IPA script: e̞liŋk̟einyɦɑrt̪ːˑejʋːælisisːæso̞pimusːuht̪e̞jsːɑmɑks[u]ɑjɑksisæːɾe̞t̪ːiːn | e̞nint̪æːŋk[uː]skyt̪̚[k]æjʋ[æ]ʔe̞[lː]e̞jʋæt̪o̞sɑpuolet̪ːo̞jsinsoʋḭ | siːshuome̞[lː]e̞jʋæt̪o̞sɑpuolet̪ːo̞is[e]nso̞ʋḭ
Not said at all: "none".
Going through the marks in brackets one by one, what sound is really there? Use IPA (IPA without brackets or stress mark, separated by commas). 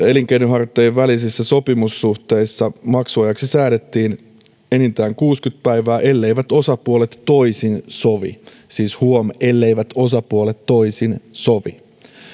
u, uː, p, æː, lː, lː, i